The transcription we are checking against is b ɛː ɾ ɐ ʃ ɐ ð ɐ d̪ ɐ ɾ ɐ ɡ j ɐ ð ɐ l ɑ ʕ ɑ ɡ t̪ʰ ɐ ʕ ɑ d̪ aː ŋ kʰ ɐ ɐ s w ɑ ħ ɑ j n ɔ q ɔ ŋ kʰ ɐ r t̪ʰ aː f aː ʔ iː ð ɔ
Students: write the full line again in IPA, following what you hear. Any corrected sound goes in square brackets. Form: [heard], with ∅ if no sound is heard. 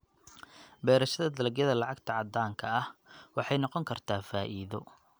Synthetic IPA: b ɛː ɾ ɐ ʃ ɐ ð ɐ d̪ ɐ [l] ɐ ɡ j ɐ ð ɐ l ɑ ʕ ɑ ɡ t̪ʰ ɐ ʕ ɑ d̪ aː ŋ kʰ ɐ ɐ [h] w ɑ ħ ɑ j n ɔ q ɔ ŋ kʰ ɐ r t̪ʰ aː f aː ʔ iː ð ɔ